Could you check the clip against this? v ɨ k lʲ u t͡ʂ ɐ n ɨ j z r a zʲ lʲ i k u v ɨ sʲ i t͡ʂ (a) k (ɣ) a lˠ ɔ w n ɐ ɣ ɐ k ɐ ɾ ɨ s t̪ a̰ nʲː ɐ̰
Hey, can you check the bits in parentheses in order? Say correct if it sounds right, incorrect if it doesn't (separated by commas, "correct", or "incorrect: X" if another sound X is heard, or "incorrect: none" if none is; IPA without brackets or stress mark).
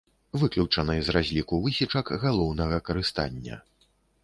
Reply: incorrect: ɐ, correct